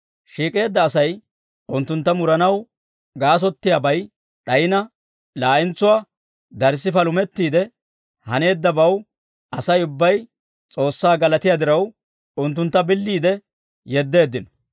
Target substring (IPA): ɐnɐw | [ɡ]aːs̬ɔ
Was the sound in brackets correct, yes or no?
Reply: yes